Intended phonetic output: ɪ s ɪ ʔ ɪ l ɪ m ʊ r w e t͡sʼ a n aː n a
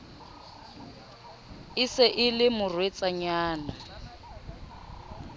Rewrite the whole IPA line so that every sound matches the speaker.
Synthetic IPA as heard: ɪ s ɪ ʔ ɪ l ɪ m ʊ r w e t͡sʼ a ɲ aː n a

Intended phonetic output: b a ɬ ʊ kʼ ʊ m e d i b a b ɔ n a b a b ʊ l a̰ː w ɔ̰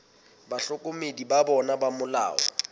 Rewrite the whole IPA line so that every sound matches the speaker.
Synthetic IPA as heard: b a ɬ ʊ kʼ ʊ m e d i b a b ɔ n a b a m ʊ l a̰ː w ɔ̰

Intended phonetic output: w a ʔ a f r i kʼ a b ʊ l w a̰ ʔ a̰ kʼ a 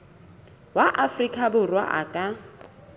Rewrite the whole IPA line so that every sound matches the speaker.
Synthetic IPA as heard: w a ʔ a f r i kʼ a b ʊ r w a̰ ʔ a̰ kʼ a

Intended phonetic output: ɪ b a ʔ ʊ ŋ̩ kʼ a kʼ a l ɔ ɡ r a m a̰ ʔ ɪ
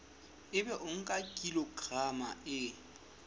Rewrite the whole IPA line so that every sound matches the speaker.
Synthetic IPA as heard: ɪ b ɛ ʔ ʊ ŋ̩ kʼ a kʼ i l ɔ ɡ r a m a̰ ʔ ɪ

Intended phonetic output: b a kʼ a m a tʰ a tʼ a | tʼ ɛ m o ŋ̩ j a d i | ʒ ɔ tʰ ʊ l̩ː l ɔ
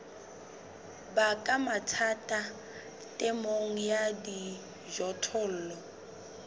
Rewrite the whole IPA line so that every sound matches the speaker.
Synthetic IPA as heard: b a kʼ a m a tʰ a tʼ a | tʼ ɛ m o ŋ̩ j a d i | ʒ ɔ tʰ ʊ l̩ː l ɔ

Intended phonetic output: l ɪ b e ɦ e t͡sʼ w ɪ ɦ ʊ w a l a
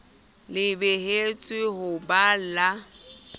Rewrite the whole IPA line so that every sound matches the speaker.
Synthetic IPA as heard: l ɪ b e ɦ e t͡sʼ w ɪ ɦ ʊ b a l a

